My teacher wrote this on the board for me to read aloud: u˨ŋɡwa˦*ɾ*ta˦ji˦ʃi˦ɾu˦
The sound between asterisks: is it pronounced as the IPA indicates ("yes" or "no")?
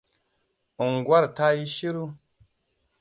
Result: yes